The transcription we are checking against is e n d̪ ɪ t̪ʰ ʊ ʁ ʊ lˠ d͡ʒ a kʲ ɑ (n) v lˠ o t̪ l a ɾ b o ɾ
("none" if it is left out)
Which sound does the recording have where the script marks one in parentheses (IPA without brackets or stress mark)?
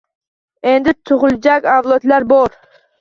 none